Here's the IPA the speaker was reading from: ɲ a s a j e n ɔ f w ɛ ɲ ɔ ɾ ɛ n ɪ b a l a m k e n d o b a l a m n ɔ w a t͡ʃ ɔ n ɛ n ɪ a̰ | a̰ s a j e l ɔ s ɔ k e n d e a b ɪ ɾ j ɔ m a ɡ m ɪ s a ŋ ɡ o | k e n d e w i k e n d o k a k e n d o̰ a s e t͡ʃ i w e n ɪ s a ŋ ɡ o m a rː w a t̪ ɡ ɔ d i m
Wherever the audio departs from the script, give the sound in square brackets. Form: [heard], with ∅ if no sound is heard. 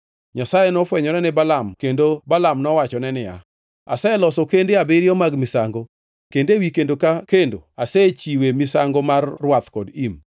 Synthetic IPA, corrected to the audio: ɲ a s a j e n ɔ f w ɛ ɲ ɔ ɾ ɛ n ɪ b a l a m k e n d o b a l a m n ɔ w a t͡ʃ ɔ n ɛ n ɪ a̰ | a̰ s a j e l ɔ s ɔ k e n d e a b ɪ ɾ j ɔ m a ɡ m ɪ s a ŋ ɡ o | k e n d e w i k e n d o k a k e n d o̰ a s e t͡ʃ i w e [m] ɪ s a ŋ ɡ o m a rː w a t̪ [k] ɔ d i m